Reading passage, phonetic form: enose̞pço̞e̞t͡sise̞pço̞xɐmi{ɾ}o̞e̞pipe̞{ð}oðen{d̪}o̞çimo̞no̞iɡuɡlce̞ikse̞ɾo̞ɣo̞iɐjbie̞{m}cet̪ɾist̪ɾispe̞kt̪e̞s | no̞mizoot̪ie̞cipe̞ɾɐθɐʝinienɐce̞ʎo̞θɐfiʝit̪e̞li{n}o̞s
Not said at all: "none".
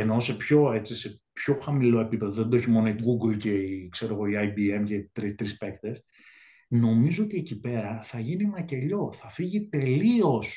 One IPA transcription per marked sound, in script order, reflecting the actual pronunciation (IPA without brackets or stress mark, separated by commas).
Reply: l, ð, d̪, m, none